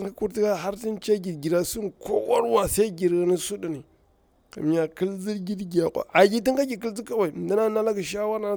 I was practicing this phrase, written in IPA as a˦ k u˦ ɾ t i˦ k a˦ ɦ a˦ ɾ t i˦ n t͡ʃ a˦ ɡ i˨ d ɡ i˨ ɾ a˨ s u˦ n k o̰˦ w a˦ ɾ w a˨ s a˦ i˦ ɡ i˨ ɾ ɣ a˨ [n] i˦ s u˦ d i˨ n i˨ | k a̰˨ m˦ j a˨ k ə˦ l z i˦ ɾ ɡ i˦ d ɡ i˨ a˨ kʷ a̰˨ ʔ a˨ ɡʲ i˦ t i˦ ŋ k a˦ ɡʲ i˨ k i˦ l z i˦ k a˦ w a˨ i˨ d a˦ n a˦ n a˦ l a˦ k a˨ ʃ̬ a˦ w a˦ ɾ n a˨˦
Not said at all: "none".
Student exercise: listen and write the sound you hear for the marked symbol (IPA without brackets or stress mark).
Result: n